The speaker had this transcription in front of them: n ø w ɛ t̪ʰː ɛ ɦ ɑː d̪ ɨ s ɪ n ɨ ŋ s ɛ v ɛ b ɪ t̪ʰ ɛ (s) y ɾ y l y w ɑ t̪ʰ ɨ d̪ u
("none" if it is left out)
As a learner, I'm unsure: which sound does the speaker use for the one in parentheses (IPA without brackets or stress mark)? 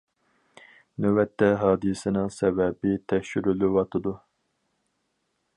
ʃ